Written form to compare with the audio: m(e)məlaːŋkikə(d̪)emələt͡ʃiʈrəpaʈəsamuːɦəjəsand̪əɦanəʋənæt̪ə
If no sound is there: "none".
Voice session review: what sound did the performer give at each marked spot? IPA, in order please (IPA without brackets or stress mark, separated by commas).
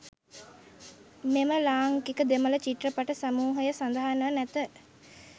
e, d̪